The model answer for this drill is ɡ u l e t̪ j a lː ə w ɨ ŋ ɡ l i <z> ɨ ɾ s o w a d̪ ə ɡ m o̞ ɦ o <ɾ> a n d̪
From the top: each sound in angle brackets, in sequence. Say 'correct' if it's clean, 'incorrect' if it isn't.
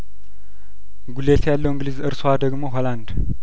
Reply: correct, incorrect: l

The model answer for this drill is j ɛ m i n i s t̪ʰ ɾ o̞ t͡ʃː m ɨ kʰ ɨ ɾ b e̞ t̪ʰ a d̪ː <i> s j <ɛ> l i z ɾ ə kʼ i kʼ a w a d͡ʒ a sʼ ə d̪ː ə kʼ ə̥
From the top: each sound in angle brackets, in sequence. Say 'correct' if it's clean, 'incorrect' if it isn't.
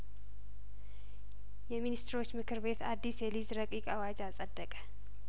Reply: correct, correct

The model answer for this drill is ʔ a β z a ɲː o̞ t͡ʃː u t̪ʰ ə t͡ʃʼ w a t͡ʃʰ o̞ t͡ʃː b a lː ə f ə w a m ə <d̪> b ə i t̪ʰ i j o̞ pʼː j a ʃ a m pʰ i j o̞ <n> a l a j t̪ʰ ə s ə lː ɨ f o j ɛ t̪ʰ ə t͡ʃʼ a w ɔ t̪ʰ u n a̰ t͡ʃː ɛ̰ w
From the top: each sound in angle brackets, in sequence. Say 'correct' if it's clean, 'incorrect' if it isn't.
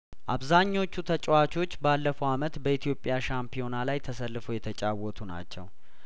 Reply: incorrect: t̪, correct

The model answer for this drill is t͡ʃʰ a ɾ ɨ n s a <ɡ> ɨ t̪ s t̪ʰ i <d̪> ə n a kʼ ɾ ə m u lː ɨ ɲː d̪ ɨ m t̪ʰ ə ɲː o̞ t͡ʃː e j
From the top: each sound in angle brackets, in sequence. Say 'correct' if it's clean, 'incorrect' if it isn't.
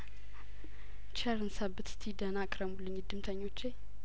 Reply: incorrect: b, correct

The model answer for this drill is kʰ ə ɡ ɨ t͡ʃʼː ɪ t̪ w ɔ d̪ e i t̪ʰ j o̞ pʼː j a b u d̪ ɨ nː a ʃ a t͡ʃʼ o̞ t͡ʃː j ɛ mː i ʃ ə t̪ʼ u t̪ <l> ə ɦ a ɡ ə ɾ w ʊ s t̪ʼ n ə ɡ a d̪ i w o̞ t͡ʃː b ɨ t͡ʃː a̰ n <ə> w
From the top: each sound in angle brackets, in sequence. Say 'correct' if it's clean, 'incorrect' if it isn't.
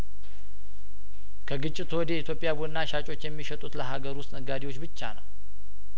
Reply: correct, correct

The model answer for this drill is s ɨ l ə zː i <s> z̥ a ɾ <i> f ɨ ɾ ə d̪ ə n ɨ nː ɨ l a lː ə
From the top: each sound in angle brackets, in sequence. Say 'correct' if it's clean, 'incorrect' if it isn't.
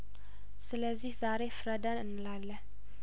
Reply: incorrect: h, incorrect: e

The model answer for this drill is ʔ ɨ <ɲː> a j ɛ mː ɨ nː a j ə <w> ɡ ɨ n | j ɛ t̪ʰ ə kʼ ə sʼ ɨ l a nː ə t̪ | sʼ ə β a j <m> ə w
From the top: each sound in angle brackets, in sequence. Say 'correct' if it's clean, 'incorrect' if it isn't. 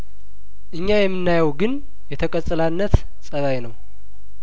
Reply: correct, correct, incorrect: n

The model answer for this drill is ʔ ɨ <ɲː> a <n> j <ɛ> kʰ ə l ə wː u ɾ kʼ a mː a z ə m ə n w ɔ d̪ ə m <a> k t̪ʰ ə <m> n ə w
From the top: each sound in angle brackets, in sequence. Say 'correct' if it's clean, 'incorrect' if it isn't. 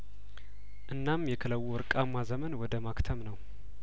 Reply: incorrect: nː, incorrect: m, correct, correct, correct

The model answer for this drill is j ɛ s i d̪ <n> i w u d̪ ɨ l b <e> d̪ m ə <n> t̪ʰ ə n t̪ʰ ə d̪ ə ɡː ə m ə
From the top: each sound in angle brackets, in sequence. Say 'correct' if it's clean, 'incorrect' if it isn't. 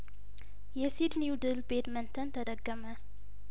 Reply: correct, correct, correct

